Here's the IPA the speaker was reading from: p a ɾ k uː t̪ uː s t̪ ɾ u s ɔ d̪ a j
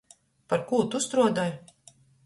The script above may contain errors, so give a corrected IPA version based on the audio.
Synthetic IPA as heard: p a ɾ k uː t̪ u s t̪ ɾ u ɔ d̪ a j